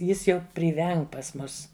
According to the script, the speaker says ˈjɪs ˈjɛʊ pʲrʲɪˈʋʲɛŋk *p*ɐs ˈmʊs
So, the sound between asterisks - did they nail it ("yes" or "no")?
yes